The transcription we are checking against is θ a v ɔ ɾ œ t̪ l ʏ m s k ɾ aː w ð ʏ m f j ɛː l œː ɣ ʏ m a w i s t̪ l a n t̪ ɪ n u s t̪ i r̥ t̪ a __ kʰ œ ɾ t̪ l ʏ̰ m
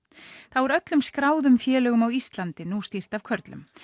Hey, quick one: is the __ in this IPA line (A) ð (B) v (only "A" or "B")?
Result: B